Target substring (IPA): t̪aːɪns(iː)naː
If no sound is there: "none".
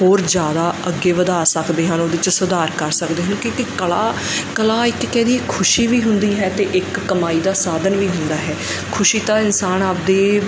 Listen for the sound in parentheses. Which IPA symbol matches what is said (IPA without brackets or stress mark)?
aː